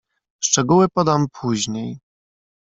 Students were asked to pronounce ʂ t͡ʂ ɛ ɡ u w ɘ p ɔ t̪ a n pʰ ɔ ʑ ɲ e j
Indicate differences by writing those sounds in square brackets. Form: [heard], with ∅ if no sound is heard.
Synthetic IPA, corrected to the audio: ʂ t͡ʂ ɛ ɡ u w ɘ p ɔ [d̪] a [m] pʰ [u] ʑ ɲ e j